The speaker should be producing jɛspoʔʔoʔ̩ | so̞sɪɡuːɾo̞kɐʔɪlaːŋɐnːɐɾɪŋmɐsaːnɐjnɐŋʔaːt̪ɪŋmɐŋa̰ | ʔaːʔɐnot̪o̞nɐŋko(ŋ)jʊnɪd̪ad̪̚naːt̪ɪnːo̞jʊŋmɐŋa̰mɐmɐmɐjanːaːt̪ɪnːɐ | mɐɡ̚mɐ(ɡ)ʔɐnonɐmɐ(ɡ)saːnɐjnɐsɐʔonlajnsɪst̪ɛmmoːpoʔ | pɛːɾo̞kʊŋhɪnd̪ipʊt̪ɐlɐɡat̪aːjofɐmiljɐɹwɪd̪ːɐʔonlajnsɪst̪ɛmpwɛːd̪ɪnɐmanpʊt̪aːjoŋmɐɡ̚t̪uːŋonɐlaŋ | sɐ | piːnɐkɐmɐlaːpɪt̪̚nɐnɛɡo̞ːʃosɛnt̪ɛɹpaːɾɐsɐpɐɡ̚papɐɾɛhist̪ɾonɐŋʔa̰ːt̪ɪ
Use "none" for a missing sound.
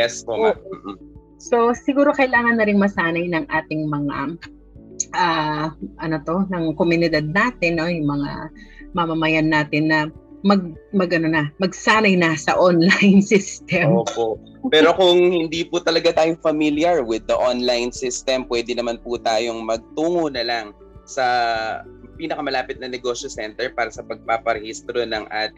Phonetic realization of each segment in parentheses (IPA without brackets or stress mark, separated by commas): m, ɡ, ɡ